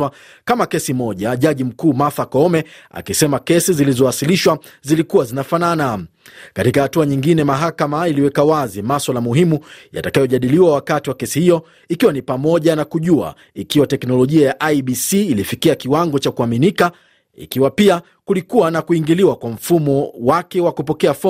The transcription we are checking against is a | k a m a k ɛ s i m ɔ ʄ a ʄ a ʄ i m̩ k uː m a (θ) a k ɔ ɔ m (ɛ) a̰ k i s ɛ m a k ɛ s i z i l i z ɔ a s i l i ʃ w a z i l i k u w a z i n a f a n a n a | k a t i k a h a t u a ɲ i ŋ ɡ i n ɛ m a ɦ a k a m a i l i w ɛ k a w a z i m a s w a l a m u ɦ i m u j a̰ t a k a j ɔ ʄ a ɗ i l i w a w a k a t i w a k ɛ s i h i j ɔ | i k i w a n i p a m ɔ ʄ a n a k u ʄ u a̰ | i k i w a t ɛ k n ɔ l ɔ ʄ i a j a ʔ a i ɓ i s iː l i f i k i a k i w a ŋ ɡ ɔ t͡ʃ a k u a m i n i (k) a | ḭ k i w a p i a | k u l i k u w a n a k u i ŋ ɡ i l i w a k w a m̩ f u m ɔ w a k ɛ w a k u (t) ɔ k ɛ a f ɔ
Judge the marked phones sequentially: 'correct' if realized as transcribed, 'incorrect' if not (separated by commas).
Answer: correct, correct, correct, incorrect